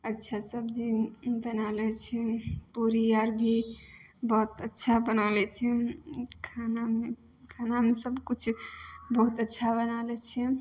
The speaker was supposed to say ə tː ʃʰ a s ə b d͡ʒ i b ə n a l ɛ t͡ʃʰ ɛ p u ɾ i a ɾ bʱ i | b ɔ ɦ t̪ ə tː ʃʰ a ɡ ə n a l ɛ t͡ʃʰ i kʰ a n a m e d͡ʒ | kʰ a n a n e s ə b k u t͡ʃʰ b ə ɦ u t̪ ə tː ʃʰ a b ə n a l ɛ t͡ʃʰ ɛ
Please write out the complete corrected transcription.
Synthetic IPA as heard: ə tː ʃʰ a s ə b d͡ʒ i b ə n a l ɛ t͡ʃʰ ɛ p u ɾ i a ɾ bʱ i | b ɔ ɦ t̪ ə tː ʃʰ a b ə n a l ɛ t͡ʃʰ ɛ kʰ a n a m e | kʰ a n a m e s ə b k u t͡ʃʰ b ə ɦ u t̪ ə tː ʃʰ a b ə n a l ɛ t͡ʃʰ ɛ

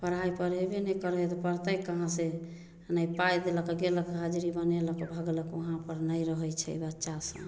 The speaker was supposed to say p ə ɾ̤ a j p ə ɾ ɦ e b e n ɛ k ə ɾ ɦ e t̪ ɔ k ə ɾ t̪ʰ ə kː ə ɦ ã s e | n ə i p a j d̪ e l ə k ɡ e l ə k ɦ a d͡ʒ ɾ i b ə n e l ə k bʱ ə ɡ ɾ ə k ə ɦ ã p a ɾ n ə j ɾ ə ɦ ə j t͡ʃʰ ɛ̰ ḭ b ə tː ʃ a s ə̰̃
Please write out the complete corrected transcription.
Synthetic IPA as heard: p ə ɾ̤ a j p ə ɾ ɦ e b e n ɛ k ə ɾ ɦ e t̪ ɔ p ə ɾ t̪ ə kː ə ɦ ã s e | n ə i p a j d̪ e l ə k ɡ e l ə k ɦ a d͡ʒ ɾ i b ə n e l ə k bʱ ə ɡ l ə k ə ɦ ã p ə ɾ n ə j ɾ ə ɦ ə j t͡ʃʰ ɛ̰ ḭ b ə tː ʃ a s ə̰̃

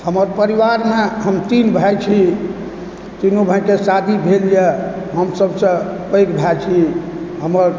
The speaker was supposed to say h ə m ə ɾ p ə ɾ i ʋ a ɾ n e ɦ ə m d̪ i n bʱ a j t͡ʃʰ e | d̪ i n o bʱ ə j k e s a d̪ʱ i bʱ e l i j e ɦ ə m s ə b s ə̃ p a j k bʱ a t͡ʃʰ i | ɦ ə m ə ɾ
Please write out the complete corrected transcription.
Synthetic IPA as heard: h ə m ə ɾ p ə ɾ i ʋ a ɾ m e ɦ ə m t̪ i n bʱ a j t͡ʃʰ i | t̪ i n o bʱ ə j k e s a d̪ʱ i bʱ e l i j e ɦ ə m s ə b s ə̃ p ə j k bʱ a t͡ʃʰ i | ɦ ə m ə ɾ

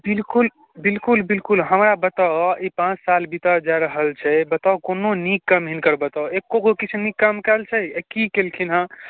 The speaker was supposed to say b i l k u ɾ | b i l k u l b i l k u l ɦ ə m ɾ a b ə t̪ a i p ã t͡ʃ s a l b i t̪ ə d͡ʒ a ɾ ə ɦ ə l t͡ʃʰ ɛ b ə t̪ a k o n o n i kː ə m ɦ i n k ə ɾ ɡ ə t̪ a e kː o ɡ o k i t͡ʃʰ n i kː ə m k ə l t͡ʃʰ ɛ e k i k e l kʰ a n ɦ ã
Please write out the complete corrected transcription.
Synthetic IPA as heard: b i l k u l | b i l k u l b i l k u l ɦ ə m ɾ a b ə t̪ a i p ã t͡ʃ s a l b i t̪ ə d͡ʒ a ɾ ə ɦ ə l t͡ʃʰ ɛ b ə t̪ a k o n o n i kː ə m ɦ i n k ə ɾ b ə t̪ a e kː o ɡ o k i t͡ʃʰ n i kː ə m k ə l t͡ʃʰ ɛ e k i k e l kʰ i n ɦ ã

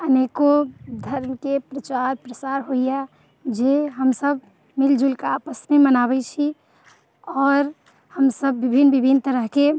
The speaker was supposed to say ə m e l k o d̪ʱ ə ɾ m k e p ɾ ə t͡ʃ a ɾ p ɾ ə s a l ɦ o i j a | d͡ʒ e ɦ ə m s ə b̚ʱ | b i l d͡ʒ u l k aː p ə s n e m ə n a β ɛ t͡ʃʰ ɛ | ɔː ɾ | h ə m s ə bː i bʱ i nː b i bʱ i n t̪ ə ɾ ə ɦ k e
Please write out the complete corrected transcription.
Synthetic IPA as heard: ə n e k o d̪ʱ ə ɾ m k e p ɾ ə t͡ʃ a ɾ p ɾ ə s a ɾ ɦ o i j a | d͡ʒ e ɦ ə m s ə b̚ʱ | m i l d͡ʒ u l k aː p ə s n e m ə n a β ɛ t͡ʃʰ i | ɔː ɾ | h ə m s ə bː i bʱ i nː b i bʱ i n t̪ ə ɾ ə ɦ k e

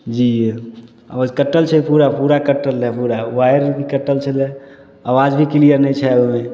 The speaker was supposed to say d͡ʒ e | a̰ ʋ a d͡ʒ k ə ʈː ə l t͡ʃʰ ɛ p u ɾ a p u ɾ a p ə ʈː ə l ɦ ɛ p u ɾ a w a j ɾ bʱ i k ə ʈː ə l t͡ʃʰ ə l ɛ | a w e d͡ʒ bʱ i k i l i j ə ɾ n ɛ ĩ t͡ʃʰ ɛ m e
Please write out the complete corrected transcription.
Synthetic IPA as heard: d͡ʒ i | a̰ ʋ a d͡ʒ k ə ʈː ə l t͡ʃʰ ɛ p u ɾ a p u ɾ a k ə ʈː ə l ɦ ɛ p u ɾ a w a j ɾ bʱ i k ə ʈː ə l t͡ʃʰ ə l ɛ | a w a d͡ʒ bʱ i k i l i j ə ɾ n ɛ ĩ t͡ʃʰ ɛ m e

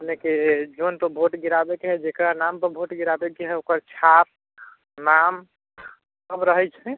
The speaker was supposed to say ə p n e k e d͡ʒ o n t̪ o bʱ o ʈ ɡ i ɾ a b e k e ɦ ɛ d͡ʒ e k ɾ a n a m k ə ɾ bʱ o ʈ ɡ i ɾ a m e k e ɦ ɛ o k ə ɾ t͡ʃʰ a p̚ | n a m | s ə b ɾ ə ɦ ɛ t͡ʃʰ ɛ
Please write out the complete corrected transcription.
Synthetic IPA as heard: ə p n e k e d͡ʒ o n t̪ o bʱ o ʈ ɡ i ɾ a b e k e ɦ ɛ d͡ʒ e k ɾ a n a m p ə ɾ bʱ o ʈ ɡ i ɾ a b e k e ɦ ɛ o k ə ɾ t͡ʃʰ a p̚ | n a m | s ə b ɾ ə ɦ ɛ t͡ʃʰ ɛ

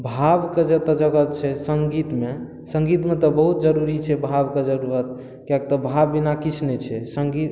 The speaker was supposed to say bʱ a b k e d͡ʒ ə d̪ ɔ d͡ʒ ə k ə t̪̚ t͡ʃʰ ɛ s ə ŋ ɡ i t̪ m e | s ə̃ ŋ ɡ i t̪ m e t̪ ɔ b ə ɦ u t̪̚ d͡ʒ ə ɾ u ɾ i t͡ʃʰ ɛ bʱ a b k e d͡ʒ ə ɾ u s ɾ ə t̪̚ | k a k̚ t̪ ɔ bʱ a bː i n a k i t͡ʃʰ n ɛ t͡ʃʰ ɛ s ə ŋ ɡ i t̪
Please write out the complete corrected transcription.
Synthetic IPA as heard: bʱ a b k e d͡ʒ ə t̪ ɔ d͡ʒ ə ɡ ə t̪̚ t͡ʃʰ ɛ s ə ŋ ɡ i t̪ m e | s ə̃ ŋ ɡ i t̪ m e t̪ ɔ b ə ɦ u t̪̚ d͡ʒ ə ɾ u ɾ i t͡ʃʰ ɛ bʱ a b k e d͡ʒ ə ɾ u ɾ ə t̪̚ | k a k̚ t̪ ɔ bʱ a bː i n a k i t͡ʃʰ n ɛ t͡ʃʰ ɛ s ə ŋ ɡ i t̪

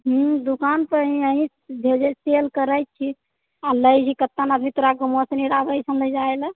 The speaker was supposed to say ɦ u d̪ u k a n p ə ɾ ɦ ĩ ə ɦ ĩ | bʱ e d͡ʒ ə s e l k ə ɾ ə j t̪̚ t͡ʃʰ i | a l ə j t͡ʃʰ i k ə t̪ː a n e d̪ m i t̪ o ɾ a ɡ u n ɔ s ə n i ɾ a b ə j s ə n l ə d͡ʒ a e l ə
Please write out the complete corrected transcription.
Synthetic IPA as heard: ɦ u d̪ u k a n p ə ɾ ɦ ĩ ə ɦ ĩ | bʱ e d͡ʒ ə s e l k ə ɾ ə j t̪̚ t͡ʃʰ i | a l ə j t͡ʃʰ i k ə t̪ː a n a d̪ m i t̪ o ɾ a ɡ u m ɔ s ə n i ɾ a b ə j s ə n l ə d͡ʒ a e l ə

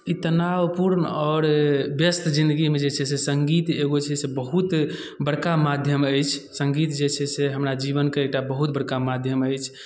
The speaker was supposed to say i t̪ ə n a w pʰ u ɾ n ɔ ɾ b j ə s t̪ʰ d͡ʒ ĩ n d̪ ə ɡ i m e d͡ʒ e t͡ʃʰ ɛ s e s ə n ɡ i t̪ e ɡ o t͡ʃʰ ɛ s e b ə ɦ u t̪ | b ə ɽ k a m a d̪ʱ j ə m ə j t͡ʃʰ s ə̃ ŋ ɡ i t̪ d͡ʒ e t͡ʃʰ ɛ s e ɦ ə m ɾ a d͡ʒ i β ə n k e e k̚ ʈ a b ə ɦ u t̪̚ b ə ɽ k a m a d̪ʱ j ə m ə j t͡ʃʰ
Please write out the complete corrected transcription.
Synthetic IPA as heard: i t̪ ə n a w p u ɾ n ɔ ɾ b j ə s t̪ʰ d͡ʒ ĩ n d̪ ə ɡ i m e d͡ʒ e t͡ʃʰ ɛ s e s ə ŋ ɡ i t̪ e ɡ o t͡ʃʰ ɛ s e b ə ɦ u t̪ | b ə ɽ k a m a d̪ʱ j ə m ə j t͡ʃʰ s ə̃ ŋ ɡ i t̪ d͡ʒ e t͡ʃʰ ɛ s e ɦ ə m ɾ a d͡ʒ i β ə n k e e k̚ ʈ a b ə ɦ u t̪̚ b ə ɽ k a m a d̪ʱ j ə m ə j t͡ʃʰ

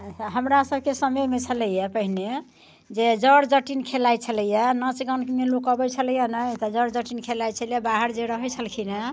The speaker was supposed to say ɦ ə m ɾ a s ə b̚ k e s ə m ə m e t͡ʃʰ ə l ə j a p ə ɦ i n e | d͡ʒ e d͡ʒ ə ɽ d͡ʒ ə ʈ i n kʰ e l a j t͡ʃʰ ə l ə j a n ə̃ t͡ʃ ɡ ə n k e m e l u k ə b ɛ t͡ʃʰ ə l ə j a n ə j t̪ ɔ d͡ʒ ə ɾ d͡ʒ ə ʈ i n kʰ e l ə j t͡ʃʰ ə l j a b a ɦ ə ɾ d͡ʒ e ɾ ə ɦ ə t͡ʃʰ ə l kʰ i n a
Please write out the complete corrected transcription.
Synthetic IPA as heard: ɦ ə m ɾ a s ə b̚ k e s ə m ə m e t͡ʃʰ ə l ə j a p ə ɦ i n e | d͡ʒ e d͡ʒ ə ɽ d͡ʒ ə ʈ i n kʰ e l a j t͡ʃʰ ə l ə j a n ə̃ t͡ʃ ɡ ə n k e m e l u k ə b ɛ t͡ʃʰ ə l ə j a n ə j t̪ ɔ d͡ʒ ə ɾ d͡ʒ ə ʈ i n kʰ e l a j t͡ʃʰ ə l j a b a ɦ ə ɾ d͡ʒ e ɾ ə ɦ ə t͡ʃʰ ə l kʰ i n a

